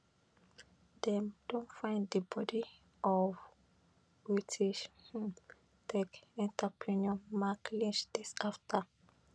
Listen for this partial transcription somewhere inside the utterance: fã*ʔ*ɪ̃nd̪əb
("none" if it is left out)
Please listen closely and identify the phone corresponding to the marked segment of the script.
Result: none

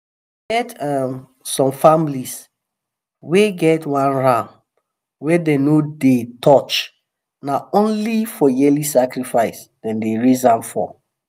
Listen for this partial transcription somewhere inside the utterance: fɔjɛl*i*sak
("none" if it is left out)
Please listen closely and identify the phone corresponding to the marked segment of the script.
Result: i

